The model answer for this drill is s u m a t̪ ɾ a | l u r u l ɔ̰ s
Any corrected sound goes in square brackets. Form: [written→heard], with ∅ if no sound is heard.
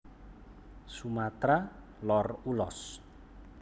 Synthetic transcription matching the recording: s u m a t̪ ɾ a | l [u→ɔ] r u l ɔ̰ s